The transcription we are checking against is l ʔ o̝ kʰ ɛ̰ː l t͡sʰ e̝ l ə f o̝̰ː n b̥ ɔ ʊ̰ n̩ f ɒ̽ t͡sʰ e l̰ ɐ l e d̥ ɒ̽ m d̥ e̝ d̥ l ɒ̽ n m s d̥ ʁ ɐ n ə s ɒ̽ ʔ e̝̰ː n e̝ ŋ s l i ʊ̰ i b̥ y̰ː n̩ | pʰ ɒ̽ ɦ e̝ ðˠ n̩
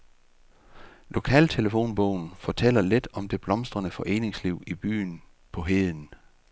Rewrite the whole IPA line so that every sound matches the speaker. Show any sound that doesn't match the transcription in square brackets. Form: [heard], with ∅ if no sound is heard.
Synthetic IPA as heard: l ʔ o̝ kʰ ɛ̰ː l t͡sʰ e̝ l ə f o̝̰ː n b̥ ɔ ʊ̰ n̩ f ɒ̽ t͡sʰ e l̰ ɐ l e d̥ ɒ̽ m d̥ e̝ [b̥] l ɒ̽ [∅] m s d̥ ʁ ɐ n ə [f] ɒ̽ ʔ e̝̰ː n e̝ ŋ s l i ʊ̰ i b̥ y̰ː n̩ | pʰ ɒ̽ ɦ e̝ ðˠ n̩